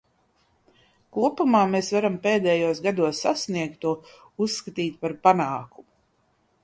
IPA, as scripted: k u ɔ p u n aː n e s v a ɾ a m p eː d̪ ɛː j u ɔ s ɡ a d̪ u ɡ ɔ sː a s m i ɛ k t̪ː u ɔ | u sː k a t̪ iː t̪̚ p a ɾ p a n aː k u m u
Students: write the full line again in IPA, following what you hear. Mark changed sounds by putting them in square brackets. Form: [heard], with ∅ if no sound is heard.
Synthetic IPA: k u ɔ p u [m] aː [m] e s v a ɾ a m p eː d̪ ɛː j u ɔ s ɡ a d̪ u [∅] ɔ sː a s [n] i ɛ k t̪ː u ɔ | u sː k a t̪ iː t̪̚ p a ɾ p a n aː k u m u

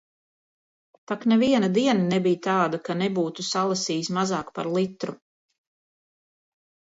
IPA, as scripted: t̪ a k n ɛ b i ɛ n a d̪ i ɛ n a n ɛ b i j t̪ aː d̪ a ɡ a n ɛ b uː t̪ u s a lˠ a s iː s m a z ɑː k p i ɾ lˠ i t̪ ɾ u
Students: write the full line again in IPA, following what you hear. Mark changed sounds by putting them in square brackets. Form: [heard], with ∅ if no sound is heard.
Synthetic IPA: t̪ a k n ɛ [v] i ɛ n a d̪ i ɛ n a n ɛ b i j t̪ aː d̪ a [k] a n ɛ b uː t̪ u s a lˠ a s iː s m a z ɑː k p [a] ɾ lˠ i t̪ ɾ u

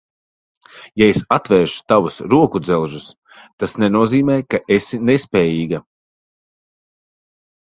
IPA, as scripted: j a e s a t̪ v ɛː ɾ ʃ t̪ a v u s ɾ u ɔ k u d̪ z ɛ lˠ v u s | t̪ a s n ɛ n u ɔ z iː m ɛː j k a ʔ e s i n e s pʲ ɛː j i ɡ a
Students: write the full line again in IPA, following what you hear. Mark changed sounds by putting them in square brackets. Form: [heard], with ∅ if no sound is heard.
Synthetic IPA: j a e s a t̪ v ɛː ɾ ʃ t̪ a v u s ɾ u ɔ k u d̪ z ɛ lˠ [ʒ] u s | t̪ a s n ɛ n u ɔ z iː m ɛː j k a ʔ e s i n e s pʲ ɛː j [iː] ɡ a

